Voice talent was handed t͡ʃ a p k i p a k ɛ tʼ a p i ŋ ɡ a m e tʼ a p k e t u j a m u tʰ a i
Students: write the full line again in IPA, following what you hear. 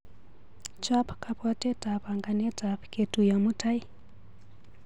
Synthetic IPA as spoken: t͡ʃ a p k a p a t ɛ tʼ a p a ŋ ɡ a n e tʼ a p k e t u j a m u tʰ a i